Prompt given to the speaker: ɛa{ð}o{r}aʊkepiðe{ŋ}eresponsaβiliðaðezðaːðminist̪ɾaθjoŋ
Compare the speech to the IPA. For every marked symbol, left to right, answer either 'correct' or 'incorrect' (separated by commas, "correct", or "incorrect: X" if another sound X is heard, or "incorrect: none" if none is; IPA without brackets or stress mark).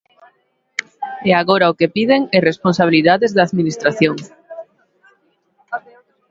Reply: incorrect: ɣ, incorrect: ɾ, correct